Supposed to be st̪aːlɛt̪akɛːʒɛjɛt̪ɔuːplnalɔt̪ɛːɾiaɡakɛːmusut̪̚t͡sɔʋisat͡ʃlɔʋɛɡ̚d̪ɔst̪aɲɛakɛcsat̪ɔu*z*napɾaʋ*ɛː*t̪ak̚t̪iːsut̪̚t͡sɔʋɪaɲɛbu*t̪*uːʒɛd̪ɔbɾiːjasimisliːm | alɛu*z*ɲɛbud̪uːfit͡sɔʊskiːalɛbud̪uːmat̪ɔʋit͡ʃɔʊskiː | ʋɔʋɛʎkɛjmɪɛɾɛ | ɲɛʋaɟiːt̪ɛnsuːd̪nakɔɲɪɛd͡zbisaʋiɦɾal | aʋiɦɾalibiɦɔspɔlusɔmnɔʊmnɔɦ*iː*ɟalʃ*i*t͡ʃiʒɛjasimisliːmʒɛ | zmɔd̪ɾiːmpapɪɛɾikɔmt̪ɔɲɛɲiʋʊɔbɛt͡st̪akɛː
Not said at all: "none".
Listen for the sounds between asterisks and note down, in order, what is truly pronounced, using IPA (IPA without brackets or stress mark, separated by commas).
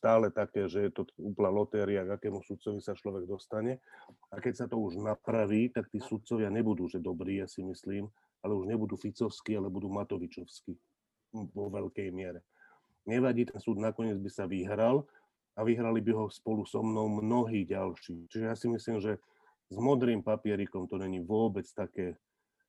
ʒ, iː, d̪, ʒ, iː, iː